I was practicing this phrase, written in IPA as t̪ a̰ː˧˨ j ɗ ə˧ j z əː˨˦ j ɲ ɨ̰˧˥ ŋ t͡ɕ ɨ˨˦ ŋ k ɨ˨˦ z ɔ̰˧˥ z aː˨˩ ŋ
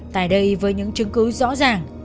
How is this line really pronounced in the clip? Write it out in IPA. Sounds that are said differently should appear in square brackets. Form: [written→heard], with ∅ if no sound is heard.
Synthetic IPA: t̪ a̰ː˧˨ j ɗ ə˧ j [z→v] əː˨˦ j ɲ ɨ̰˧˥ ŋ t͡ɕ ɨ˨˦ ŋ k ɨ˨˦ z ɔ̰˧˥ z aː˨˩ ŋ